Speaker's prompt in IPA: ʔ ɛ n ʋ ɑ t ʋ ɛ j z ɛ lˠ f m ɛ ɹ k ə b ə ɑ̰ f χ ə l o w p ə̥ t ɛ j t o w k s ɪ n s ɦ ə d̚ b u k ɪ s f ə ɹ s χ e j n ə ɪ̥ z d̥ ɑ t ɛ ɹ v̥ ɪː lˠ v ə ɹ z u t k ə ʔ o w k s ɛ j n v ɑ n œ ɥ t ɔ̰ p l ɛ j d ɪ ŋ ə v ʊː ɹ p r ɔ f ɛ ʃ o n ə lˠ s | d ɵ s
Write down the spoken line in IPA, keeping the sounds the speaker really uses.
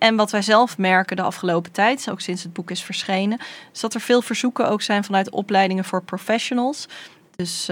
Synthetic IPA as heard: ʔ ɛ n ʋ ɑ t ʋ ɛ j z ɛ lˠ f m ɛ ɹ k ə d ə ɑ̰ f χ ə l o w p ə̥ t ɛ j t o w k s ɪ n s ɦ ə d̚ b u k ɪ s f ə ɹ s χ e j n ə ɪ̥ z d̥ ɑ t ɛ ɹ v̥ ɪː lˠ v ə ɹ z u k ə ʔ o w k s ɛ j n v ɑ n œ ɥ t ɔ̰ p l ɛ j d ɪ ŋ ə v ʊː ɹ p r o f ɛ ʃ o n ə lˠ s | d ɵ s